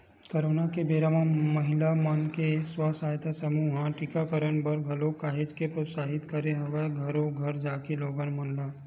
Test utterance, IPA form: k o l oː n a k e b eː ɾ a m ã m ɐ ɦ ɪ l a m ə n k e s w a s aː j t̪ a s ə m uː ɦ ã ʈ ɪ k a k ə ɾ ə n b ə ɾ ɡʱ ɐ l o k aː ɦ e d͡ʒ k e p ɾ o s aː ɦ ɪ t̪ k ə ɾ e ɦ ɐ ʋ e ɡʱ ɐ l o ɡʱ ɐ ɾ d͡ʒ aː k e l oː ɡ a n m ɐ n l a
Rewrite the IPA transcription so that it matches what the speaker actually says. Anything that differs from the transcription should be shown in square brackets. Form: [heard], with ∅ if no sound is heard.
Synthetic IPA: k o [ɾ] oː n a k e b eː ɾ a m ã m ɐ ɦ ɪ l a m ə n k e s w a s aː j t̪ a s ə m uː ɦ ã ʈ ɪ k a k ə ɾ ə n b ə ɾ ɡʱ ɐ l o k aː ɦ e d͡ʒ k e p ɾ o s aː ɦ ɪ t̪ k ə ɾ e ɦ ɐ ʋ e ɡʱ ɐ [ɾ] o ɡʱ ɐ ɾ d͡ʒ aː k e l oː ɡ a n m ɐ n l a